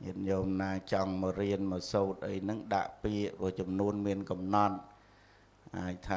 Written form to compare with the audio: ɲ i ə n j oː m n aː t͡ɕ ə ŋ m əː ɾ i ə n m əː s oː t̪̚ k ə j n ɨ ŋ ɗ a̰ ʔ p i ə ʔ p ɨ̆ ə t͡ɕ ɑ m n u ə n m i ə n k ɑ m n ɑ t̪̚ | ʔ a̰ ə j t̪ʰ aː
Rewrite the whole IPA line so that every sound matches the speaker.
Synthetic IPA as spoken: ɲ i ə n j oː m n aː t͡ɕ ɑ ŋ m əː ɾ i ə n m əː s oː t̪̚ ʔ ə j n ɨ ŋ ɗ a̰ ʔ p i ə ʔ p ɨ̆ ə t͡ɕ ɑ m n u ə n m i ə n k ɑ m n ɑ t̪̚ | ʔ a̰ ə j t̪ʰ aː